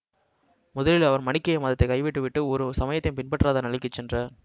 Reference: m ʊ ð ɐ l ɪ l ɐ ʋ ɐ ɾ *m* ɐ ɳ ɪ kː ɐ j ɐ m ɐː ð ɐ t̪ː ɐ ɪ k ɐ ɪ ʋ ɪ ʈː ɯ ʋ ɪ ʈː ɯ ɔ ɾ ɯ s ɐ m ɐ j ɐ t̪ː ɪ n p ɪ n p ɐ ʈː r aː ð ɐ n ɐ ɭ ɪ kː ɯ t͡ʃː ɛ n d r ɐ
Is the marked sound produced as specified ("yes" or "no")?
yes